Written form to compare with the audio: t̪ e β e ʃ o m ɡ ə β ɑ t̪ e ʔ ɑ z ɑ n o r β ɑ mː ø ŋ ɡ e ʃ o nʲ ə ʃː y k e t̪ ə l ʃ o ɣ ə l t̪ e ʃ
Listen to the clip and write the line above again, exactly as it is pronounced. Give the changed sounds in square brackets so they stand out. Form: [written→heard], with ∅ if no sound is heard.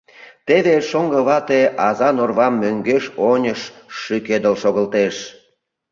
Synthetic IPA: t̪ e β e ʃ o [m→ŋ] ɡ ə β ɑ t̪ e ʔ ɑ z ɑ n o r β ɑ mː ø ŋ ɡ e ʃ o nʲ ə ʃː y k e [t̪→d̪] ə l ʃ o ɣ ə l t̪ e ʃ